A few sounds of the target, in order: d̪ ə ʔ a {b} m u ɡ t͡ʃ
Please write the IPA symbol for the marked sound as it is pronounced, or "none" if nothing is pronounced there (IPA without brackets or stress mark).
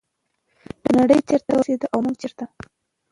w